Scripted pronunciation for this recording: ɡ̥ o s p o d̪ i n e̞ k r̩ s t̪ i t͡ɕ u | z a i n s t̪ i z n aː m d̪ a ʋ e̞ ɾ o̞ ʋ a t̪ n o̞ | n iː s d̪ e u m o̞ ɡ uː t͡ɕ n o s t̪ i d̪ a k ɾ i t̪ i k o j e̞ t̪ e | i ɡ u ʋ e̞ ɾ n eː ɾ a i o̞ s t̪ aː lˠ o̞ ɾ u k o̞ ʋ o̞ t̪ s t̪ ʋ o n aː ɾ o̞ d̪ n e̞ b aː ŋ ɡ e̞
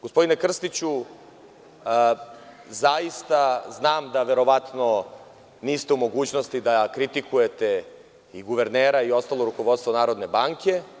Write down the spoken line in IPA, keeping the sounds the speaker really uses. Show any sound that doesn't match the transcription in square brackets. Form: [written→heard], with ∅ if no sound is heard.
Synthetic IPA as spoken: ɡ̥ o s p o d̪ i n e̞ k r̩ s t̪ i t͡ɕ u | z a i [n→∅] s t̪ [i→a] z n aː m d̪ a ʋ e̞ ɾ o̞ ʋ a t̪ n o̞ | n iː s [d̪→t̪] e u m o̞ ɡ uː t͡ɕ n o s t̪ i d̪ a k ɾ i t̪ i k [o→u] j e̞ t̪ e | i ɡ u ʋ e̞ ɾ n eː ɾ a i o̞ s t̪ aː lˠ o̞ ɾ u k o̞ ʋ o̞ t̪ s t̪ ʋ o n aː ɾ o̞ d̪ n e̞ b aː ŋ [ɡ→k] e̞